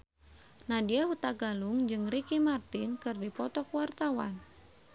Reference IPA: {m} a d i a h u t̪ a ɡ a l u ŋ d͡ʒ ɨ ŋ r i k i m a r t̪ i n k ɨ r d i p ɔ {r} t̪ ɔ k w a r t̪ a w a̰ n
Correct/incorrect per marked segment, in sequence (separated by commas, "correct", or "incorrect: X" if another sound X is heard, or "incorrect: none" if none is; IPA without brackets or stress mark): incorrect: n, incorrect: none